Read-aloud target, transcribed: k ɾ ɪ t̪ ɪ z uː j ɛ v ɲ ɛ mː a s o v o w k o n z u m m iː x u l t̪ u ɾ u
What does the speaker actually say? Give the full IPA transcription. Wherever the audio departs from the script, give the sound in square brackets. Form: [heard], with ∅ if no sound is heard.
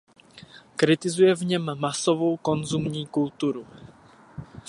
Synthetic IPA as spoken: k ɾ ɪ t̪ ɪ z [u] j ɛ v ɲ ɛ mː a s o v o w k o n z u m [ɲ] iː [k] u l t̪ u ɾ u